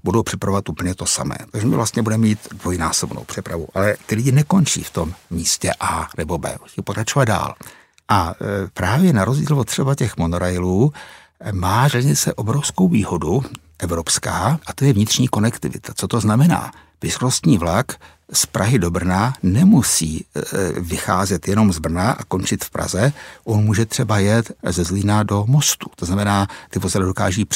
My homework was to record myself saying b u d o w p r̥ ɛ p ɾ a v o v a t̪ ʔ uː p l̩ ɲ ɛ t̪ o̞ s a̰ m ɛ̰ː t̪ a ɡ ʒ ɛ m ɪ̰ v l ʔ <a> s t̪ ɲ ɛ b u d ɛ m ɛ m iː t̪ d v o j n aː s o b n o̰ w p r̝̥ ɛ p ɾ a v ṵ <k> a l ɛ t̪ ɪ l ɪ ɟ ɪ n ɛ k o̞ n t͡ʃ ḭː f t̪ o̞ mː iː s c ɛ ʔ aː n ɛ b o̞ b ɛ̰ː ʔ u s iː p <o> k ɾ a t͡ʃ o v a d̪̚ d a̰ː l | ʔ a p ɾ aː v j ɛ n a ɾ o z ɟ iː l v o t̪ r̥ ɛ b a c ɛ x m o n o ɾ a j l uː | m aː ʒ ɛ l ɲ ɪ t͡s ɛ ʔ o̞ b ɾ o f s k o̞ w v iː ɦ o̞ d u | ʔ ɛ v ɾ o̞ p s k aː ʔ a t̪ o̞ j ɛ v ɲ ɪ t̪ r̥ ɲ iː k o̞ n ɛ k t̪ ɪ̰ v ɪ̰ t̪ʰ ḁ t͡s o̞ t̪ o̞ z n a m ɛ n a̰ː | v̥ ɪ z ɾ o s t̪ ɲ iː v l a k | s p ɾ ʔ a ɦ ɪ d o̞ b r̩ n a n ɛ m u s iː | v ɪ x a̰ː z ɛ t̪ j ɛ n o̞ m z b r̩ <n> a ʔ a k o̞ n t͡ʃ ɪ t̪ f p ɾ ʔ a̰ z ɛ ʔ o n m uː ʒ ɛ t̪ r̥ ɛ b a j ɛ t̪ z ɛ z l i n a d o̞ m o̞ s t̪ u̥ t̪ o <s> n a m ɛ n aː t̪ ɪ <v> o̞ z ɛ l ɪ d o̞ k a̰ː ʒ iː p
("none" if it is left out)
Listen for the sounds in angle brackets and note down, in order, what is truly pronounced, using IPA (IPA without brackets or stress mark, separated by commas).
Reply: a, ʔ, o, n, z, v